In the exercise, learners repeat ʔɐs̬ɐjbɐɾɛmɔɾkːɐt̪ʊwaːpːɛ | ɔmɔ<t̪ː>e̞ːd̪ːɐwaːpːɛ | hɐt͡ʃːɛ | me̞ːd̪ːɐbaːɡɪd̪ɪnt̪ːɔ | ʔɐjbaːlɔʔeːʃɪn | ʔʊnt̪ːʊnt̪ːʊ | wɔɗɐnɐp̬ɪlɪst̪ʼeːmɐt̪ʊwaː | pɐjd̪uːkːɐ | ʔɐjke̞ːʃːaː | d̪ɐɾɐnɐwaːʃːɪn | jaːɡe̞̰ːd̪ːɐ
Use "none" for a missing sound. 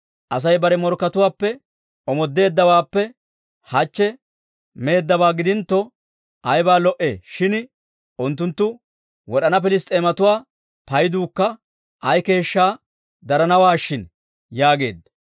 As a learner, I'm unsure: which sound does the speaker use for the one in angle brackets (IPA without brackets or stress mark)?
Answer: d̪ː